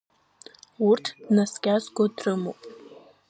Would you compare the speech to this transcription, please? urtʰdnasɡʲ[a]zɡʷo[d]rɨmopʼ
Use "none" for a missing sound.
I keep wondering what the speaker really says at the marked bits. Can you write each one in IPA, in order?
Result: a, d

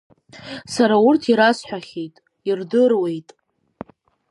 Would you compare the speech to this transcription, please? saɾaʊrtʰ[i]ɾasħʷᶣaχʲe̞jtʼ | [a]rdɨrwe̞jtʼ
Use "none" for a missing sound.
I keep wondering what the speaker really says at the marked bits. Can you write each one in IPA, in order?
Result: i, i

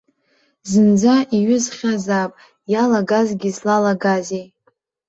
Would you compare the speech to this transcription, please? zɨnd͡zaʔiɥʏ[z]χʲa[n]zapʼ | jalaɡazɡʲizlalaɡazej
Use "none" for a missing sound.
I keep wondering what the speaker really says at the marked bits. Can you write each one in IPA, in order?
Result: z, none

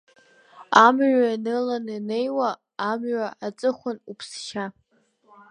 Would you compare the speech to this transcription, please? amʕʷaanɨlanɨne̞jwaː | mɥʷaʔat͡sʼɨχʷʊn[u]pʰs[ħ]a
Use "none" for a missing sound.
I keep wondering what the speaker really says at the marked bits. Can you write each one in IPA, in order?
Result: u, ʃ

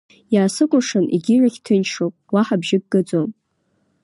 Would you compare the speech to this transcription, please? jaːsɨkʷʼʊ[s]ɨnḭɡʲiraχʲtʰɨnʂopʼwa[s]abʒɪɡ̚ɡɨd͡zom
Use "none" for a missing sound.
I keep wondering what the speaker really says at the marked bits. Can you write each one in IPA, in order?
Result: ʂ, ħ

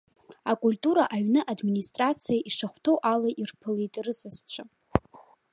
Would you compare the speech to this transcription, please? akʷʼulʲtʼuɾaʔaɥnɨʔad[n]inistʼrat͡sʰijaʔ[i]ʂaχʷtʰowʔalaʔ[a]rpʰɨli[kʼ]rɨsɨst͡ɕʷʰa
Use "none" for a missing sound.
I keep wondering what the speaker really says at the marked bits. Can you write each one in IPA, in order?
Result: m, i, i, tʼ

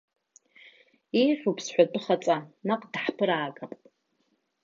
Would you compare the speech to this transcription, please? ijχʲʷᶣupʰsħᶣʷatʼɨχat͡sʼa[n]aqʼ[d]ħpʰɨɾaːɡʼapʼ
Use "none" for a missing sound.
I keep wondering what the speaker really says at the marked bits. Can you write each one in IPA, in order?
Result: n, d

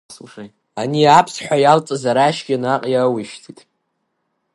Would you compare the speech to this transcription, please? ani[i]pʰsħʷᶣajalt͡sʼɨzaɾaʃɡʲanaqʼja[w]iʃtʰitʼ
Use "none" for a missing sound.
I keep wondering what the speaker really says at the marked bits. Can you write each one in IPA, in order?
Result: a, w

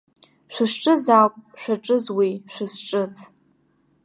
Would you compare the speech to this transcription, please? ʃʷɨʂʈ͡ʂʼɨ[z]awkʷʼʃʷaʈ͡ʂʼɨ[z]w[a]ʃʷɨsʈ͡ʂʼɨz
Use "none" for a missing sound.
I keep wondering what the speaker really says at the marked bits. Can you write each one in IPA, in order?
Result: z, z, i

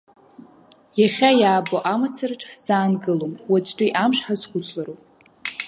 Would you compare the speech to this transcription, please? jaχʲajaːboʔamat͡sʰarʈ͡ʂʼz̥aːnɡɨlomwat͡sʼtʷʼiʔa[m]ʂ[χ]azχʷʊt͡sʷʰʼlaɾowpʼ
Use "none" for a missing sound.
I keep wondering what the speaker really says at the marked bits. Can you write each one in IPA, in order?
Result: m, ħ

